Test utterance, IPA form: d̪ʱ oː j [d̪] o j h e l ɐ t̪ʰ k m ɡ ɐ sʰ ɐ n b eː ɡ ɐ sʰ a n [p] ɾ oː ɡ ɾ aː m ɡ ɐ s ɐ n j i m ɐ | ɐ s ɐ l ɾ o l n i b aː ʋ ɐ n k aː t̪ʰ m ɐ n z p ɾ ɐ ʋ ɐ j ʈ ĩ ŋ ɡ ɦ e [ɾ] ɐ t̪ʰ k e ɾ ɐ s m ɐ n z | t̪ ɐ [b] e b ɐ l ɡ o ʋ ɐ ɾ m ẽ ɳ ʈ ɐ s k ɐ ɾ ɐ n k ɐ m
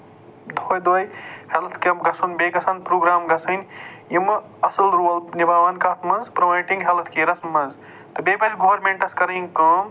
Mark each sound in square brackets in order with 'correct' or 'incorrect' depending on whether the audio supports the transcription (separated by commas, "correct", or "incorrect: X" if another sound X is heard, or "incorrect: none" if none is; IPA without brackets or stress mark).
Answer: correct, correct, incorrect: l, correct